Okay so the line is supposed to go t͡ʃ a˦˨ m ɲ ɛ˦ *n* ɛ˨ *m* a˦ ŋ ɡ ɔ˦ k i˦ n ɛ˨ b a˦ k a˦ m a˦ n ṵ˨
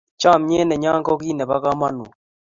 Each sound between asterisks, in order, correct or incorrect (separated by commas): correct, incorrect